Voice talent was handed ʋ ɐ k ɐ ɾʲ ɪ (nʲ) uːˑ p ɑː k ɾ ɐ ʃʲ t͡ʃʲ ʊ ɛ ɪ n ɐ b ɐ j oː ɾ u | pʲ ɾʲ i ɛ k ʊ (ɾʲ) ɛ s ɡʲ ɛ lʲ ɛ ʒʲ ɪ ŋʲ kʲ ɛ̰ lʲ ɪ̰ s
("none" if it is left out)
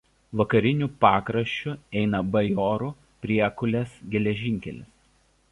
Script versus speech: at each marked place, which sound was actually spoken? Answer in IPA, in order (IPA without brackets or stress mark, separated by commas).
nʲ, lʲ